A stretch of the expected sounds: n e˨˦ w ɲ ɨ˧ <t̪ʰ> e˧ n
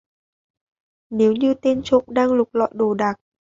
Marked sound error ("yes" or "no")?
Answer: yes